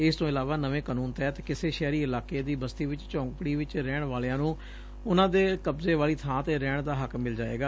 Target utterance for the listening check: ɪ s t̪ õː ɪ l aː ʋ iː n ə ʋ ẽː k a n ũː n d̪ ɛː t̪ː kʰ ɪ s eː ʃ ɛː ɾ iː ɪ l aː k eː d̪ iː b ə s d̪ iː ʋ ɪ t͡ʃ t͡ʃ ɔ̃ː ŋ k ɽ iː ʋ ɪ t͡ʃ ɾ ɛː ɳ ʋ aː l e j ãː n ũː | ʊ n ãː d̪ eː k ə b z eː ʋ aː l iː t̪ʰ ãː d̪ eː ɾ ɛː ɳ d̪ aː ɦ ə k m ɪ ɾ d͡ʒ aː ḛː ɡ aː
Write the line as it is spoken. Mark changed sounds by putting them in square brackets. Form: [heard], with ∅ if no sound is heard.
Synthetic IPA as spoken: ɪ s t̪ õː ɪ l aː ʋ [aː] n ə ʋ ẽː k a n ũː n [t̪] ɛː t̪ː [k] ɪ s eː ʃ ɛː ɾ iː ɪ l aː k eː d̪ iː b ə s [t̪] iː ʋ ɪ t͡ʃ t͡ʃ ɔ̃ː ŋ k ɽ iː ʋ ɪ t͡ʃ ɾ ɛː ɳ ʋ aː l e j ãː n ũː | ʊ n ãː d̪ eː k ə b z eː ʋ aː l iː t̪ʰ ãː [t̪] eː ɾ ɛː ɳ d̪ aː ɦ ə k m ɪ [l] d͡ʒ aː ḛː ɡ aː